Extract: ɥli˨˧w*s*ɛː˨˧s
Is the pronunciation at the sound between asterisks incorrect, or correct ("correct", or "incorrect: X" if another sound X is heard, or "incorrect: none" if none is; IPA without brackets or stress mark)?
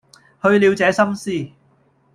incorrect: t͡s